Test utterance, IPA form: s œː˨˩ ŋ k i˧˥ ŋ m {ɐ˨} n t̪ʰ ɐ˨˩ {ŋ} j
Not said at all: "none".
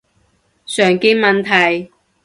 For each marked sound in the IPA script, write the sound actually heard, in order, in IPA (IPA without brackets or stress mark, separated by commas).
ɐ˨, none